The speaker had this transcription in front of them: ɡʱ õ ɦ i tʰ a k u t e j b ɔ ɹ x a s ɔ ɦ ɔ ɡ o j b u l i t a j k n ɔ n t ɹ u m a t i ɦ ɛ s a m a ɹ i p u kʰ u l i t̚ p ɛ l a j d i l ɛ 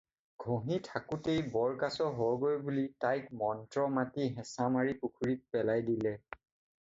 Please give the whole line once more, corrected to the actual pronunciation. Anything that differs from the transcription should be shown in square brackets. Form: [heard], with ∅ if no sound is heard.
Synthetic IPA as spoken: ɡʱ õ ɦ i tʰ a k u t e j b ɔ ɹ [k] a s ɔ ɦ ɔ ɡ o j b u l i t a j k [m] ɔ n t ɹ [ɔ] m a t i ɦ ɛ s a m a ɹ i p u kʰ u [ɹ] i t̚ p ɛ l a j d i l ɛ